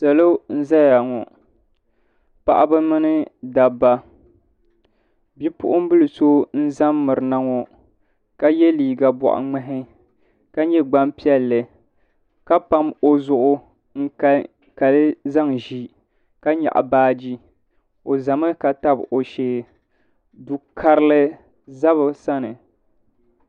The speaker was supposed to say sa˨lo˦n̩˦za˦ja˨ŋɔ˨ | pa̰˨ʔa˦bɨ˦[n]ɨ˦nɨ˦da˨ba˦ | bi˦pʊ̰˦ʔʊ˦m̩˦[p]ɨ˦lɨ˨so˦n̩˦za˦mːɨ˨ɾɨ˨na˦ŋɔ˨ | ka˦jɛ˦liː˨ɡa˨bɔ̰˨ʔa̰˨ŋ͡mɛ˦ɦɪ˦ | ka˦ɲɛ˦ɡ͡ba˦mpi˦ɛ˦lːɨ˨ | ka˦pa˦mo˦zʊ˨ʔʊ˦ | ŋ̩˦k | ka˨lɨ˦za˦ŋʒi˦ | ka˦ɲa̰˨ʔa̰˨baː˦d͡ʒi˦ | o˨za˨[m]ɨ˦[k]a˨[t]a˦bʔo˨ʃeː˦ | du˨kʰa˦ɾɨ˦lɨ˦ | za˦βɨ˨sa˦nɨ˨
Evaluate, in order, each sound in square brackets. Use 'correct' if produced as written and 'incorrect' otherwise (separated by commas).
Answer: incorrect, incorrect, correct, correct, correct